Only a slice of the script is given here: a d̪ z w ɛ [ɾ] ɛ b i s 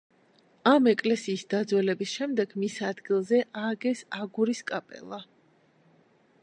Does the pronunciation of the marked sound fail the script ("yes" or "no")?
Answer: yes